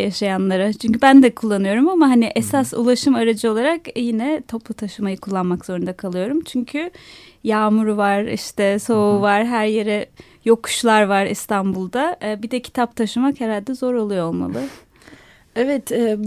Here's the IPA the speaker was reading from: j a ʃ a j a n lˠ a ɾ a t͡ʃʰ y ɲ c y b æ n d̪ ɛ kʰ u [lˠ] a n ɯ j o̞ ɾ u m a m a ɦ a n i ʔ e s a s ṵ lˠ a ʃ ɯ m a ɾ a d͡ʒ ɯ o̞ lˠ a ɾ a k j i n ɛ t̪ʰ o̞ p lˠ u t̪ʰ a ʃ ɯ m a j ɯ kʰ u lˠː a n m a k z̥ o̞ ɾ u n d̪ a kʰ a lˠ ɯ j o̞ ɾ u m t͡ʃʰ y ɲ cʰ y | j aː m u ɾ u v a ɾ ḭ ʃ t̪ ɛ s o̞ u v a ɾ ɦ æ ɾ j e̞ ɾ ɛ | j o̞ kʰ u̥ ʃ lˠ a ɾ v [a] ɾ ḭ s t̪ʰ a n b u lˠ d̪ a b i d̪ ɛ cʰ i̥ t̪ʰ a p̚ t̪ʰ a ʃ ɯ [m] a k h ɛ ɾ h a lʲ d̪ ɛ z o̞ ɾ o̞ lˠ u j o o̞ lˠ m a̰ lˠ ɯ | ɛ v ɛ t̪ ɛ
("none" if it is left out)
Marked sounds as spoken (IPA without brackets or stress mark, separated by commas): lˠː, a, m